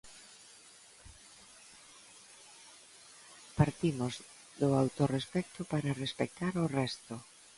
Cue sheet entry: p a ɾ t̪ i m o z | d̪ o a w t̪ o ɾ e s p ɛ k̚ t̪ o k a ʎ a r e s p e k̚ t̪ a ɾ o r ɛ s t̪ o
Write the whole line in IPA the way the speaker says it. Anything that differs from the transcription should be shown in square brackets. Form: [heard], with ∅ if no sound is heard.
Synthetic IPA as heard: p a ɾ t̪ i m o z | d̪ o a w t̪ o [r] e s p ɛ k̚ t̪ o [p] a [ɾ] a r e s p e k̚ t̪ a ɾ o r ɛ s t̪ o